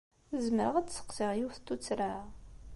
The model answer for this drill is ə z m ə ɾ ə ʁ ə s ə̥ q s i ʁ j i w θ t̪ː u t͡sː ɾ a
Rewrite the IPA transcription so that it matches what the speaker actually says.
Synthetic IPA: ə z m ə ɾ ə ʁ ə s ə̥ q s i ʁ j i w θ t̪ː u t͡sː ɾ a